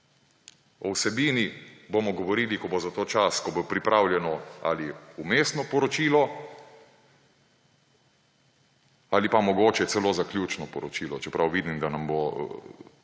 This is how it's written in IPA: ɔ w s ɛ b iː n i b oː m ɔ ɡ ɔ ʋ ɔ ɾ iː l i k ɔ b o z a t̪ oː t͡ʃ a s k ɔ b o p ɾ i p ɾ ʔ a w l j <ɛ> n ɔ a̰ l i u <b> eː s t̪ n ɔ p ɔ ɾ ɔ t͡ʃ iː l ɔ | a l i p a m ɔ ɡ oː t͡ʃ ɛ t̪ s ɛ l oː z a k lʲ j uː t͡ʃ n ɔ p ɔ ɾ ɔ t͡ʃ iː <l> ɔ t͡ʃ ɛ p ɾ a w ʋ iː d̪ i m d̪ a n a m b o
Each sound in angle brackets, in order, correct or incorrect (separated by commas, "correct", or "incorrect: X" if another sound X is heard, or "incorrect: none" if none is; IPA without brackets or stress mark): correct, incorrect: m, correct